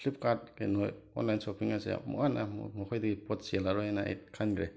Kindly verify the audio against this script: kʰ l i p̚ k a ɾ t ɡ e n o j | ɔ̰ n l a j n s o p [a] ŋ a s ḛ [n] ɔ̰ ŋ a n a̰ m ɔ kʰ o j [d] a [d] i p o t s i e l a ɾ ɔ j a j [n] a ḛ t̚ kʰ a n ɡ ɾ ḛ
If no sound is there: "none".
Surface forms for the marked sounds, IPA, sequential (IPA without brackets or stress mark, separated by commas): i, m, d, ɡ, n